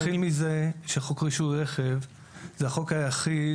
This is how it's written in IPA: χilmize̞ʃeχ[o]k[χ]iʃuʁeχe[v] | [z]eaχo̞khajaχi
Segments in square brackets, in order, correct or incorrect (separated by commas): correct, incorrect, correct, correct